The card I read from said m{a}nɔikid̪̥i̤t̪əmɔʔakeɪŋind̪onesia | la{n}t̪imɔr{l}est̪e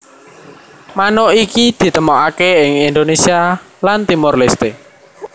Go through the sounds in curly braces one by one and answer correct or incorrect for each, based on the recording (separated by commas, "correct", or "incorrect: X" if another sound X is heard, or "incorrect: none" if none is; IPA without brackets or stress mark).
correct, correct, correct